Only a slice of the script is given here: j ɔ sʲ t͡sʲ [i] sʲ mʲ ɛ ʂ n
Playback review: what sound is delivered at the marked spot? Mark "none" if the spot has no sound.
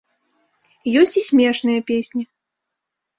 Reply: i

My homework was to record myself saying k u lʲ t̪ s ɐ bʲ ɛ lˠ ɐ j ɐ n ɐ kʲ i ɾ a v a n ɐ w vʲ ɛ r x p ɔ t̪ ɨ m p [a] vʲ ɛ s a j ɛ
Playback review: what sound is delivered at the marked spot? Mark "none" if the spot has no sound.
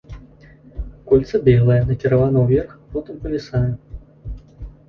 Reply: ɐ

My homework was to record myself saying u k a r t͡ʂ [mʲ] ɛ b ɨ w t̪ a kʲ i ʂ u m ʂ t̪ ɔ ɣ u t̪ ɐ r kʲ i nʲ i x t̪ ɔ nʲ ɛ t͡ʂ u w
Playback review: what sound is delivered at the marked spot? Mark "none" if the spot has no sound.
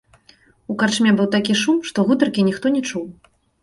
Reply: mʲ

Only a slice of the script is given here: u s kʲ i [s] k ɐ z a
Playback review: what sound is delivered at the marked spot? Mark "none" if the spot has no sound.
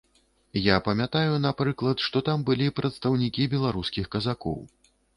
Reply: x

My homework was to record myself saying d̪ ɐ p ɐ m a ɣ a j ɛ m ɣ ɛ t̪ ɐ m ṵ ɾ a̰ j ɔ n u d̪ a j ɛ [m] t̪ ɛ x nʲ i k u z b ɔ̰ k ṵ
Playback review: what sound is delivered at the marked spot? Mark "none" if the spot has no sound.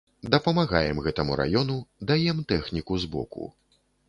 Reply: m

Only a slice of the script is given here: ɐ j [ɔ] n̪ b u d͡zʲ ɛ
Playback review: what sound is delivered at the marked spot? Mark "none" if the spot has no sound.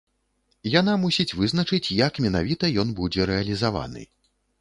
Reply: ɔ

